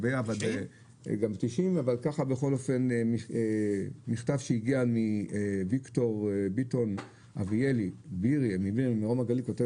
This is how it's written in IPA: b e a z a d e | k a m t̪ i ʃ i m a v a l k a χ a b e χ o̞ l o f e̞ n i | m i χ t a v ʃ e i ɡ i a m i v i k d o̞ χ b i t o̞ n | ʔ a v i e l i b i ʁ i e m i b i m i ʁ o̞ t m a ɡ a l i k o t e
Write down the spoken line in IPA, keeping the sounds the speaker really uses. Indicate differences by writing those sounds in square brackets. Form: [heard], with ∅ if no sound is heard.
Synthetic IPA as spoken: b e a [v] a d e | [ɡ] a m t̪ i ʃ i m a v a l k a χ a b e χ o̞ l o f e̞ n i | m i χ t a v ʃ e i ɡ i a m i v i k [t] o̞ [ʁ] b i t o̞ n | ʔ a v i e l i b i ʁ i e m i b i m i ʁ o̞ [∅] m a ɡ a l i k o t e

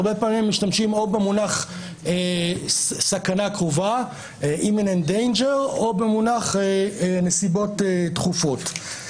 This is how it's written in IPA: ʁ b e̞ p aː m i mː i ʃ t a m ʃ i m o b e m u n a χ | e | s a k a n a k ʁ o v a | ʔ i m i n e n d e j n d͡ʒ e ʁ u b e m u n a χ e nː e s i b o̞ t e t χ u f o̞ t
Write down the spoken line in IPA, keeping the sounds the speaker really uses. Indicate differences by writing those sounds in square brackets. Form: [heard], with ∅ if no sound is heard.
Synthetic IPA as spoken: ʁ b e̞ p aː m i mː i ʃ t a m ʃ i m o b e m u n a χ | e | s a k a n a k ʁ o v a | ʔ i m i n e n d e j n d͡ʒ e ʁ [o] b e m u n a χ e [n] e s i b o̞ t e t χ u f o̞ t

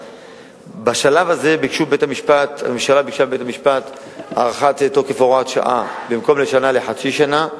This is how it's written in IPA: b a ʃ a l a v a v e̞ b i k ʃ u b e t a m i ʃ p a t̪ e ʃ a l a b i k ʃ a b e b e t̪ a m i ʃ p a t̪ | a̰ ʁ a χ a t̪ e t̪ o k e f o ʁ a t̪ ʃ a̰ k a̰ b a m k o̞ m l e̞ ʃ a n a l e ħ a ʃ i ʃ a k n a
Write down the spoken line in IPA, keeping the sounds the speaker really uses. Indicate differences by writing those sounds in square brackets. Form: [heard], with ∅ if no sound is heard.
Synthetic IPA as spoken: b a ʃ a l a v a [z] e̞ b i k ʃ u b e t a m i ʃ p a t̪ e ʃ a l a b i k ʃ a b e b e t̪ a m i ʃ p a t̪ | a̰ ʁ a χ a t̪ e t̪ o k e f o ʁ a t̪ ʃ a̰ [ʔ] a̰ b [i] m k o̞ m l e̞ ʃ a n a l e ħ a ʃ i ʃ a [∅] n a

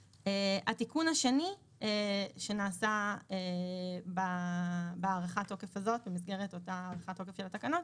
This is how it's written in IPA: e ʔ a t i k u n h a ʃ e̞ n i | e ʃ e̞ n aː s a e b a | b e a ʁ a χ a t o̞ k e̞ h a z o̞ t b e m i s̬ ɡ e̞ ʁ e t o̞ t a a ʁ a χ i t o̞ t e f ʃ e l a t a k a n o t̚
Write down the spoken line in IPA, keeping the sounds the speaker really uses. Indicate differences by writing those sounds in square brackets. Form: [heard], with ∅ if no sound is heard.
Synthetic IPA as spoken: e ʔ a t i k u n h a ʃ e̞ n i | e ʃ e̞ n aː s a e b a | b e a ʁ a χ a t o̞ k e̞ [f] a z o̞ t b e m i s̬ ɡ e̞ ʁ e t o̞ t a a ʁ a χ [a] t o̞ [k] e f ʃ e l a t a k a n o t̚

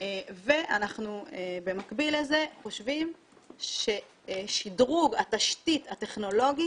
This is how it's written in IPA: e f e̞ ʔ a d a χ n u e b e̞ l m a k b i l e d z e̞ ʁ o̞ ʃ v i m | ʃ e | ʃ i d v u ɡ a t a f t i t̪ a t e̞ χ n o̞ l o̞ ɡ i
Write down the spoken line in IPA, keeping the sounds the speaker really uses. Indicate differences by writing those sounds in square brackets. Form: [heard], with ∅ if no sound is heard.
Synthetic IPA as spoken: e [v] e̞ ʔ a [n] a χ n u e b e̞ [∅] m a k b i l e [∅] z e̞ [χ] o̞ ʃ v i m | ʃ e | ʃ i d [ʁ] u ɡ a t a [ʃ] t i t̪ a t e̞ χ n o̞ l o̞ ɡ i

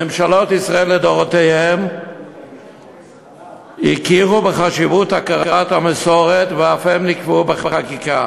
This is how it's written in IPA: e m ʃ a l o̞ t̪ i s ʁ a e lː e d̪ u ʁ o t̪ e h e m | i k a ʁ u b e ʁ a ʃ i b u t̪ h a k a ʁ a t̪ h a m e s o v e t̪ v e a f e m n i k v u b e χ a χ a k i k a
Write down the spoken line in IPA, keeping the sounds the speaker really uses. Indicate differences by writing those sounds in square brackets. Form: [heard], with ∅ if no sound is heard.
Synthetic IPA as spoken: e m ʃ a l o̞ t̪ i s ʁ a e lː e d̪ [o] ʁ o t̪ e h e m | i k [i] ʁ u b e [χ] a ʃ i [v] u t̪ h a k a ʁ a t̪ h a m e s o [ʁ] e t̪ v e a f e m n i k v u b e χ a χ a k i k a

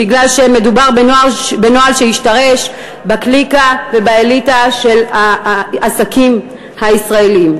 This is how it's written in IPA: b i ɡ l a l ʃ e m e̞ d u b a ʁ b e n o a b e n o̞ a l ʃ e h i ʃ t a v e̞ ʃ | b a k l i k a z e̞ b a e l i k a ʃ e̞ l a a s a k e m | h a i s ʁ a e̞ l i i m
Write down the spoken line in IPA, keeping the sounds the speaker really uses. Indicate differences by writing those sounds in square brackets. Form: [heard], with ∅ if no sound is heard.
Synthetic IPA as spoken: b i ɡ l a l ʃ e m e̞ d u b a ʁ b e n o a b e n o̞ a l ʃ e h i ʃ t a [ʁ] e̞ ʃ | b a k l i k a [v] e̞ b a e l i [t] a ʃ e̞ l a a s a k [i] m | h a i s ʁ a e̞ l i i m

